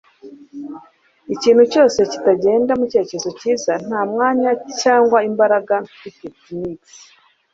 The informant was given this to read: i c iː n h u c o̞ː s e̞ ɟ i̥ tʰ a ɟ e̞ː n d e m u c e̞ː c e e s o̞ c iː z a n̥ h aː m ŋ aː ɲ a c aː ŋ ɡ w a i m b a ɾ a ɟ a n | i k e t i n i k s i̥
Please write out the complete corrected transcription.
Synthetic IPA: i c iː n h u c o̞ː s e̞ c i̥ t a ɟ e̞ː n d a m u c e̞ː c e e z o̞ c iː z a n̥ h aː m ŋ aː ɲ a c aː ŋ ɡ w a i m b a ɾ a ɡ a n | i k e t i n i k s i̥